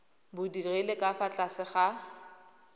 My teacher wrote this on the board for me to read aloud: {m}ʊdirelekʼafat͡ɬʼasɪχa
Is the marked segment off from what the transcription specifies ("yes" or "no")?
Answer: yes